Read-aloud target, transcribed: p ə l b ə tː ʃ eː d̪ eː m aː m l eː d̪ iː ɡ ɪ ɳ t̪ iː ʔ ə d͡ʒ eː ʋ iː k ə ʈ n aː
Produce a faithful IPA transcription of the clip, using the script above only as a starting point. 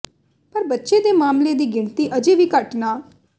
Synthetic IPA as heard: p ə ɾ b ə tː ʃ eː d̪ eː m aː m l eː d̪ iː ɡ ɪ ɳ t̪ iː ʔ ə d͡ʒ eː ʋ iː k ə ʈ n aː